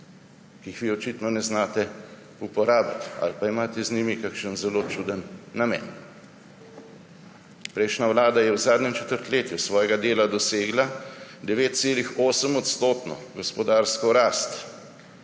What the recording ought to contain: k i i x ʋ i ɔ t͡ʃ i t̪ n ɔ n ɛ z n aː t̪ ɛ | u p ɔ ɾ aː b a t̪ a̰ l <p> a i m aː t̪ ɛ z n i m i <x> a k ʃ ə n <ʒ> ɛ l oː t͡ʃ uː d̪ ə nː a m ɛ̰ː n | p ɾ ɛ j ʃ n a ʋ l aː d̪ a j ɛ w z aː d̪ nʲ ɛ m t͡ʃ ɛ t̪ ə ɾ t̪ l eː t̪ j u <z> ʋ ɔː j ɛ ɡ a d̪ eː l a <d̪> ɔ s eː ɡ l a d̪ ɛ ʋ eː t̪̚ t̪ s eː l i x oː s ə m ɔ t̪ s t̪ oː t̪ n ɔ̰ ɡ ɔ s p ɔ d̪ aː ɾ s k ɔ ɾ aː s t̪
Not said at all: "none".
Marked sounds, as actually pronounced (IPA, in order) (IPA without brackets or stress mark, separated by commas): p, k, z, s, d̪